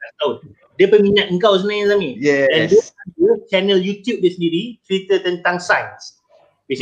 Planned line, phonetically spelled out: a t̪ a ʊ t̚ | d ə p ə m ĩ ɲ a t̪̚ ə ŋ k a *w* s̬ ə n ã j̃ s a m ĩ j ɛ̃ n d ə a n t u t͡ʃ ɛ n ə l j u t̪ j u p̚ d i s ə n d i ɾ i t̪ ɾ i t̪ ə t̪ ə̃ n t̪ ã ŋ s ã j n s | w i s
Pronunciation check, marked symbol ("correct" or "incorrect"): correct